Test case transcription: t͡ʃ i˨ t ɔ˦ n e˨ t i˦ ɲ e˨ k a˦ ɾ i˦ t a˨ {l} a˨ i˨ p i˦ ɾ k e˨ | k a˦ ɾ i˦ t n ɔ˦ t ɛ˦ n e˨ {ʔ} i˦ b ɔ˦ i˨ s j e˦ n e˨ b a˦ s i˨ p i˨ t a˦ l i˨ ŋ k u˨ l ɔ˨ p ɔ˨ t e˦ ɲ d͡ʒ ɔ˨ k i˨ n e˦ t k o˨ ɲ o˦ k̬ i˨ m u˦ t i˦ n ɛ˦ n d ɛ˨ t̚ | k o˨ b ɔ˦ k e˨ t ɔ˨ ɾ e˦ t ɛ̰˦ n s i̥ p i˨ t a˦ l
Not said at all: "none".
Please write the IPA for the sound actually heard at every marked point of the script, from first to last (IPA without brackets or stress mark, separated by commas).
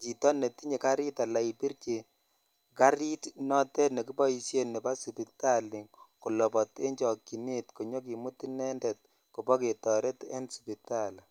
l, k